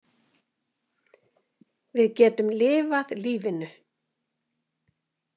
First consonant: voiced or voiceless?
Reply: voiced